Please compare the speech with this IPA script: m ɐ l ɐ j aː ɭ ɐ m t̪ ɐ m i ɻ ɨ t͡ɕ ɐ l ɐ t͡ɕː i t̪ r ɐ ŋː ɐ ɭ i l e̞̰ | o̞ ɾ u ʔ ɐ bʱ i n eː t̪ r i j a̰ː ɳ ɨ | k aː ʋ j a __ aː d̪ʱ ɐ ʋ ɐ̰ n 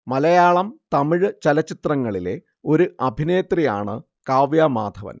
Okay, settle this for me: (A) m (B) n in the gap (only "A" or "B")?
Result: A